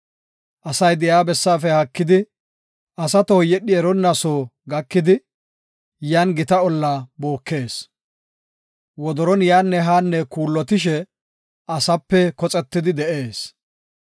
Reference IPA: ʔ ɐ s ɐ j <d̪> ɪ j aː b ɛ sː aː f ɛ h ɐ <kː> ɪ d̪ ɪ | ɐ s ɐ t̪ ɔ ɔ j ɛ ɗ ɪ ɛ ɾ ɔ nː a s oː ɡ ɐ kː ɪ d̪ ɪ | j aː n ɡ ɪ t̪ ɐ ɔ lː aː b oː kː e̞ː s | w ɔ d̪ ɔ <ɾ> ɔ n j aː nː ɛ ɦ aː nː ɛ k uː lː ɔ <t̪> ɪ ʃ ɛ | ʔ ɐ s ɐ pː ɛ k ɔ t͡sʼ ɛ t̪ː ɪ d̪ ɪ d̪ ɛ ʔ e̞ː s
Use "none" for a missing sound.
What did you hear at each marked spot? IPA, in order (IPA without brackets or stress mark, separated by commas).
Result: d̪, kː, ɾ, t̪